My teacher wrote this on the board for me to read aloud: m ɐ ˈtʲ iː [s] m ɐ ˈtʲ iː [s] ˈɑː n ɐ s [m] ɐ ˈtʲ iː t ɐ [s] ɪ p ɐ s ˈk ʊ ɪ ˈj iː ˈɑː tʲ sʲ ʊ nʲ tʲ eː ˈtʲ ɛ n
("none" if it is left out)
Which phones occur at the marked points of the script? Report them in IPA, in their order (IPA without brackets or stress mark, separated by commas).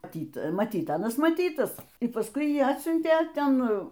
t, t, m, s